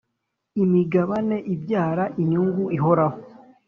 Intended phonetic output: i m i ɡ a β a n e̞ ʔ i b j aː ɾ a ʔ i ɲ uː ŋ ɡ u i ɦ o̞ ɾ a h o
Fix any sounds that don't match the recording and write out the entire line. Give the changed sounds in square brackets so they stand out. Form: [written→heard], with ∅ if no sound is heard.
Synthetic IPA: i m i ɡ a β a n e̞ ʔ i b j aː ɾ a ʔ i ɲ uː ŋ ɡ u i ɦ o̞ ɾ a h o